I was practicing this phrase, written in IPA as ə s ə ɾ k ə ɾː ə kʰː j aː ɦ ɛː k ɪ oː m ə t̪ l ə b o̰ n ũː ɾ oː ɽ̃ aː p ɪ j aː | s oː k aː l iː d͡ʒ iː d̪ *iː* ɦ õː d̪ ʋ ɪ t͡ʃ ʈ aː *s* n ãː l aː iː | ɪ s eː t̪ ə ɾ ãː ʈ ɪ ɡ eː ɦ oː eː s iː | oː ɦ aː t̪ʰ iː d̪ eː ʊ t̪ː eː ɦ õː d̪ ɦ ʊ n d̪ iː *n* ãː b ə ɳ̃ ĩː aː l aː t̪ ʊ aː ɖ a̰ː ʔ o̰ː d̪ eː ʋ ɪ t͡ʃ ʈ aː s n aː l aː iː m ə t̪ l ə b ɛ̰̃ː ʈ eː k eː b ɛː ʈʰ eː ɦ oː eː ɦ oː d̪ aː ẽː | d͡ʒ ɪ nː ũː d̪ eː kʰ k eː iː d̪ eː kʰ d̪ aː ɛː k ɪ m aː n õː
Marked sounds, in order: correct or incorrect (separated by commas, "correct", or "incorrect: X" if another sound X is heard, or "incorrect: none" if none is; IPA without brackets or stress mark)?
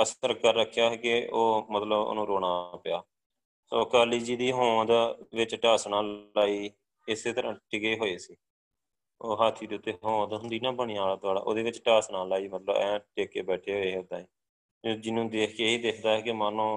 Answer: correct, correct, correct